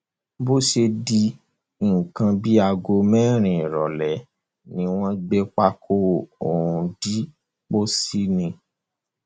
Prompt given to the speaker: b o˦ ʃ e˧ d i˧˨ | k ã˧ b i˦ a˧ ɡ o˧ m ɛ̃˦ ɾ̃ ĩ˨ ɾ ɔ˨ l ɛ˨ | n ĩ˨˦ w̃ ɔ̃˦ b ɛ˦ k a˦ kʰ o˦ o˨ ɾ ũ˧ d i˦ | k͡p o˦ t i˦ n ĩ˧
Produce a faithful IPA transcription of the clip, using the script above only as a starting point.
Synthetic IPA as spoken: b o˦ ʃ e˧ d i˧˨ | k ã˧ b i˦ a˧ ɡ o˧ m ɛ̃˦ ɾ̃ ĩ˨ ɾ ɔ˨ l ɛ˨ | n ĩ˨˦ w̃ ɔ̃˦ ɡ͡b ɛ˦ k͡p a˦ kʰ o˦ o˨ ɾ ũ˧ d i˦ | k͡p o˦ s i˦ n ĩ˧